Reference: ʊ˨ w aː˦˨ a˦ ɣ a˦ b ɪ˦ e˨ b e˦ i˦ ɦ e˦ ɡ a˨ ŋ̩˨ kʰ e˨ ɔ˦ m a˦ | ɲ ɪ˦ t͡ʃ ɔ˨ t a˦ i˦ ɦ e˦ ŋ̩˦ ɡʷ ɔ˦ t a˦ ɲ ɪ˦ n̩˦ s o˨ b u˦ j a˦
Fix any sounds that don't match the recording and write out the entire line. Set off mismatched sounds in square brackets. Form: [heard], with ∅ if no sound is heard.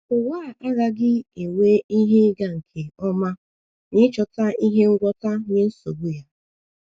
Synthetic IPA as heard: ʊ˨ w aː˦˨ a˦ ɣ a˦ [ɡ] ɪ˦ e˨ [w] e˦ i˦ ɦ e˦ ɡ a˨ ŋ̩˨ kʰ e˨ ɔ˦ m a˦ | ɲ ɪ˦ t͡ʃ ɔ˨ t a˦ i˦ ɦ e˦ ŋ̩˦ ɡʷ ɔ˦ t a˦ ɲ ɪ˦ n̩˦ s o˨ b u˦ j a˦